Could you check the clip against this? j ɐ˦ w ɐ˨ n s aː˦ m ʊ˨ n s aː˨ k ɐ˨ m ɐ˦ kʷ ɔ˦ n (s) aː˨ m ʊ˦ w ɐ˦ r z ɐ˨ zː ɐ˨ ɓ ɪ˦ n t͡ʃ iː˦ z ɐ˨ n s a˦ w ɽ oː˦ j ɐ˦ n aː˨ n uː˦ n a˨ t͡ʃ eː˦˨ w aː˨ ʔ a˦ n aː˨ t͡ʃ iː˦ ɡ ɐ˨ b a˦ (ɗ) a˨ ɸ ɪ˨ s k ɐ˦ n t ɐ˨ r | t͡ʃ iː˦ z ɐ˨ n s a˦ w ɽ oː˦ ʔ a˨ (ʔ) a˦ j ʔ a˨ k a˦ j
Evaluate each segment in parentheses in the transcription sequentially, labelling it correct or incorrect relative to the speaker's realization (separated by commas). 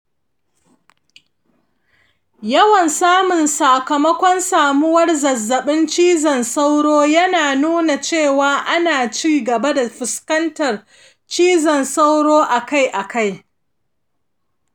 correct, incorrect, incorrect